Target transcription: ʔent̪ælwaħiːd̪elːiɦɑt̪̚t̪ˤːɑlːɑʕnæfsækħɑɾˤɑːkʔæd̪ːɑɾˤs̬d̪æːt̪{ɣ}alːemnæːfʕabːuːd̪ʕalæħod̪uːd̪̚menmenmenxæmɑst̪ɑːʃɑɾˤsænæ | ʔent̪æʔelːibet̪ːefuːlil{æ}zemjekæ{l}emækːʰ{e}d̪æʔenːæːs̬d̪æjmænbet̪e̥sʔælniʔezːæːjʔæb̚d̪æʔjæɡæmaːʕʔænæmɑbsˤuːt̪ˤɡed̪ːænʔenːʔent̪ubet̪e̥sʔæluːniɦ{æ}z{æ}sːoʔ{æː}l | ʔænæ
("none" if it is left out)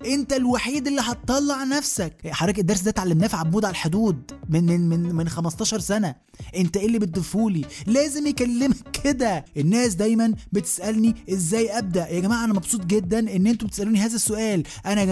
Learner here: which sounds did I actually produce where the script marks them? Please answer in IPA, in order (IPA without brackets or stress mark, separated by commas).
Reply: ʕ, æː, lː, e, æː, æ, æː